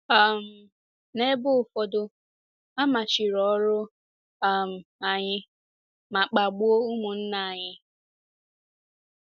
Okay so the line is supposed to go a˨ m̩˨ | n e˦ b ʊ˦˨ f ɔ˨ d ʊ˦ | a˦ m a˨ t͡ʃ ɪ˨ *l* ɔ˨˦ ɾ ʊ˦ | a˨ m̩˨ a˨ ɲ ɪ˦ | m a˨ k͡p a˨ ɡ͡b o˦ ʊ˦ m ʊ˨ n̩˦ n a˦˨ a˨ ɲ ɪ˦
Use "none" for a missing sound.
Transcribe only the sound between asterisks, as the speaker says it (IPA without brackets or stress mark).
ɾ